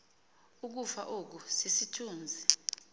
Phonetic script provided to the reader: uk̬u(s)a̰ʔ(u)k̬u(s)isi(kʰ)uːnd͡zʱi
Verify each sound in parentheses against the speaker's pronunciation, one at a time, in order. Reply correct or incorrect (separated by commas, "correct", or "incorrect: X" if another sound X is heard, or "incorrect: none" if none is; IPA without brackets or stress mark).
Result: incorrect: f, incorrect: o, correct, incorrect: tʰ